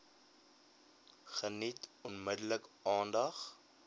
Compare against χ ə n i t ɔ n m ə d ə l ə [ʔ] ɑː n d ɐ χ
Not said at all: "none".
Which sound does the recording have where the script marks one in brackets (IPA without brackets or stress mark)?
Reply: k